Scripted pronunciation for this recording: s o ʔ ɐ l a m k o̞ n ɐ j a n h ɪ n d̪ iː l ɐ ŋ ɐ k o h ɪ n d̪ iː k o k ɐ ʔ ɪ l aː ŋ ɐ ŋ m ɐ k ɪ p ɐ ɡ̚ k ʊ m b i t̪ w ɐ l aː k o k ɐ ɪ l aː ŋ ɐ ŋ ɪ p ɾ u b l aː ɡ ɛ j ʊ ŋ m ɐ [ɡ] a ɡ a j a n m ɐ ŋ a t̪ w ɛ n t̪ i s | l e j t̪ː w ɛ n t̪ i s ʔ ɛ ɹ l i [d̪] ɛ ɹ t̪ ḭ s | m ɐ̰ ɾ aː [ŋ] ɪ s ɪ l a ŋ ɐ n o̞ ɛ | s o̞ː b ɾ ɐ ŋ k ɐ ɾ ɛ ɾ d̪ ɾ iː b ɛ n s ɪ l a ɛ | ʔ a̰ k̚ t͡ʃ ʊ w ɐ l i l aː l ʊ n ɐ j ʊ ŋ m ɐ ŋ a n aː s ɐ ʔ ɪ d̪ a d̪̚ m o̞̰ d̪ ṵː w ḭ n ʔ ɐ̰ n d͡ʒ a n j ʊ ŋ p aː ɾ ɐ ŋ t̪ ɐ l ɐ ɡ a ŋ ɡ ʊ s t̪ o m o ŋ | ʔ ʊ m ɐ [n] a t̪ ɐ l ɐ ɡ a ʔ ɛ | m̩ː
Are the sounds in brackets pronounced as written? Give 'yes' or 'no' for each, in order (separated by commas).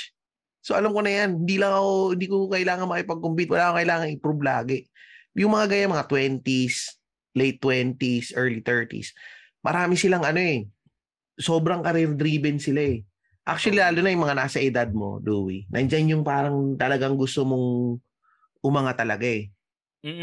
no, no, no, no